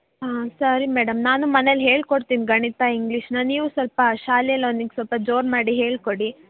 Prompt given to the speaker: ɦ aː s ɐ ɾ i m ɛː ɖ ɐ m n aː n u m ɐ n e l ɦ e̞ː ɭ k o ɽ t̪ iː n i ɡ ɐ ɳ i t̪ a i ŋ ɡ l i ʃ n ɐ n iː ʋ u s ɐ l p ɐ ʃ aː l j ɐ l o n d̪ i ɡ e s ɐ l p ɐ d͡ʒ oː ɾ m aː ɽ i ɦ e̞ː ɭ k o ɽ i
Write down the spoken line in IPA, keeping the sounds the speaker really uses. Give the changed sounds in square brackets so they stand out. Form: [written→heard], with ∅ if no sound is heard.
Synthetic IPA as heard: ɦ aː s ɐ ɾ i m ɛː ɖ ɐ m n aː n u m ɐ n e l ɦ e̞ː ɭ k o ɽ t̪ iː n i ɡ ɐ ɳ i t̪ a i ŋ ɡ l i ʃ n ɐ n iː ʋ u s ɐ l p ɐ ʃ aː l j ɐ l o n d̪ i ɡ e s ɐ l p ɐ d͡ʒ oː ɾ m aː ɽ i ɦ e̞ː ɭ k o ɽ i